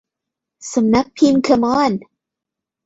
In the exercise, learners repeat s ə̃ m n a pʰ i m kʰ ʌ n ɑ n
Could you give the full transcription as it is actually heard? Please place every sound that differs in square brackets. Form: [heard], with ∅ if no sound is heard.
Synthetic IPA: s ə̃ m n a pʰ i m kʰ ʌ [m] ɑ n